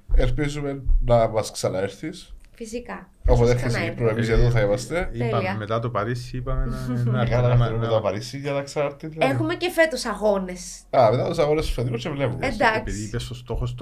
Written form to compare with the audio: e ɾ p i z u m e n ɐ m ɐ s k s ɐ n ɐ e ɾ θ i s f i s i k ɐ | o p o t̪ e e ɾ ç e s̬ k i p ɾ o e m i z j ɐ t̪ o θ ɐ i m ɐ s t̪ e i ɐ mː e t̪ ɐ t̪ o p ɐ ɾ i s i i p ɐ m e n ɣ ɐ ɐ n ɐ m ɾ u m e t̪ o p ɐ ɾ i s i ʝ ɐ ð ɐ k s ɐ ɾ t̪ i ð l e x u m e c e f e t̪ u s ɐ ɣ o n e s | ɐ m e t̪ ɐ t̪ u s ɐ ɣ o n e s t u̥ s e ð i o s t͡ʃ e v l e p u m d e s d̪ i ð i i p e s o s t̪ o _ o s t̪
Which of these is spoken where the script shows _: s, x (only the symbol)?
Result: x